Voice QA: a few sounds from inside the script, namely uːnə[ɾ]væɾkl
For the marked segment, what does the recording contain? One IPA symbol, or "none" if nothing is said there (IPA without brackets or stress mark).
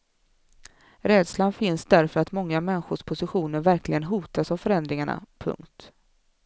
ɾ